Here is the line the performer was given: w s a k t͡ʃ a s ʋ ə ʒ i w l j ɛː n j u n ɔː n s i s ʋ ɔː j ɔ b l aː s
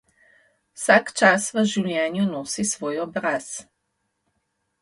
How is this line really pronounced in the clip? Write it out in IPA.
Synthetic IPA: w s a k t͡ʃ a s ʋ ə ʒ i w l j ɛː n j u n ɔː s i s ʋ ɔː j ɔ b ɾ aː s